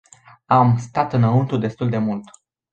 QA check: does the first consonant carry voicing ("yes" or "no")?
yes